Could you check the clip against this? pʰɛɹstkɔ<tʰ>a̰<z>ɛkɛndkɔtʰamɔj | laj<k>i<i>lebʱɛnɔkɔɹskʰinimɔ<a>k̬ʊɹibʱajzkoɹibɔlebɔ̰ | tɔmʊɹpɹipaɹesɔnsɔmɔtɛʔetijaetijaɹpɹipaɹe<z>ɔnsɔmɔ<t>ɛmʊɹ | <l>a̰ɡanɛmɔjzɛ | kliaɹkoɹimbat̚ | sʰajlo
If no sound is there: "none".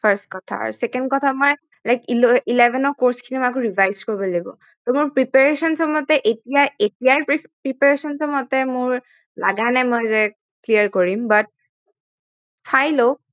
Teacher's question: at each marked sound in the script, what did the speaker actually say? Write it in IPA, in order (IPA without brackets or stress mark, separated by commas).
tʰ, s, k, i, a, s, t, l